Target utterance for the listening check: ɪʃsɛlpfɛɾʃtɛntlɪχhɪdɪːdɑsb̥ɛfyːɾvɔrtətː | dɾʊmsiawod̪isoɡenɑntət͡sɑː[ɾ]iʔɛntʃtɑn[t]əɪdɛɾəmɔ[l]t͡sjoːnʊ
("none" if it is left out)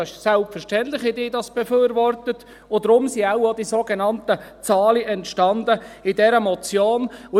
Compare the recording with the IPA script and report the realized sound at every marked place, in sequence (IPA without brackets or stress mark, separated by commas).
l, d, none